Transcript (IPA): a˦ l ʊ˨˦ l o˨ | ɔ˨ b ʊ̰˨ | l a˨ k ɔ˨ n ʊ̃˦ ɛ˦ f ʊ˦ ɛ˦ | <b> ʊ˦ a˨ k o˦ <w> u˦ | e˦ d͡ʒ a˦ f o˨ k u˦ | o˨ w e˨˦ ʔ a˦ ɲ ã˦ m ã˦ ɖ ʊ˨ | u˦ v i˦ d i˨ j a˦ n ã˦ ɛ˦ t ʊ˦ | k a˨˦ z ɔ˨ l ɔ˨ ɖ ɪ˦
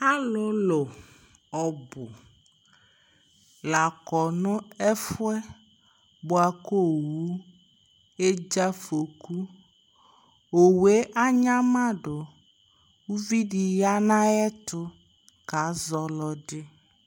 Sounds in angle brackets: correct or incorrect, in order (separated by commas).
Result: correct, correct